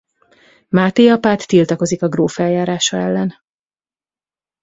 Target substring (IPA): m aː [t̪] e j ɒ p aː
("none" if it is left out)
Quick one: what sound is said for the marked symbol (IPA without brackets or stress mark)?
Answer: t̪